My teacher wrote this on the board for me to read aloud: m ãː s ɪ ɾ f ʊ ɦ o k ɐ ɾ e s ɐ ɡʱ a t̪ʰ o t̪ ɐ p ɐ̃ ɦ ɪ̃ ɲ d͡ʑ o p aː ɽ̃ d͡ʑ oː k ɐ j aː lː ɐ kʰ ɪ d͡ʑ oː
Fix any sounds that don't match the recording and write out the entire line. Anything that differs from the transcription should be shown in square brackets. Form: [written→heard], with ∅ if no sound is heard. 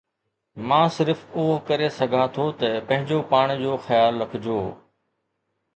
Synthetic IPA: m ãː s ɪ ɾ f ʊ ɦ o k ɐ ɾ e s ɐ ɡʱ a t̪ʰ o t̪ ɐ p ɐ̃ ɦ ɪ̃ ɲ d͡ʑ o p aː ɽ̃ d͡ʑ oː [k→x] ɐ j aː lː ɐ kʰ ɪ d͡ʑ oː